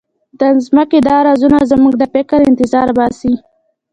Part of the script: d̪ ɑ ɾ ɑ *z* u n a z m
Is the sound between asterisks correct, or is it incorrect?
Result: correct